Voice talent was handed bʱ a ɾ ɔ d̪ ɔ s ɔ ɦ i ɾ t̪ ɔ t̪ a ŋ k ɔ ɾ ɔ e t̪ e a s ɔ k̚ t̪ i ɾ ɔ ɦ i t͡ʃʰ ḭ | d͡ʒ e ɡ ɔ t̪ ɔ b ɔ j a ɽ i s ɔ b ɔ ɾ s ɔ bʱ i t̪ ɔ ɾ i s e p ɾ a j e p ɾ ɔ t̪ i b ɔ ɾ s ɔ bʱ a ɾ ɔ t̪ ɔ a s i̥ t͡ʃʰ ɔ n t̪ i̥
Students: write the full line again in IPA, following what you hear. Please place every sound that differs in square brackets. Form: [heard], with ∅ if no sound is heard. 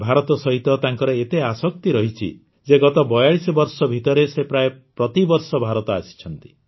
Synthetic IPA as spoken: bʱ a ɾ ɔ [t̪] ɔ s ɔ ɦ i [∅] t̪ ɔ t̪ a ŋ k ɔ ɾ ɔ e t̪ e a s ɔ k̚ t̪ i ɾ ɔ ɦ i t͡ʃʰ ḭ | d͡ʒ e ɡ ɔ t̪ ɔ b ɔ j a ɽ i s ɔ b ɔ ɾ s ɔ bʱ i t̪ ɔ ɾ [e] s e p ɾ a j e p ɾ ɔ t̪ i b ɔ ɾ s ɔ bʱ a ɾ ɔ t̪ ɔ a s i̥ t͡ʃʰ ɔ n t̪ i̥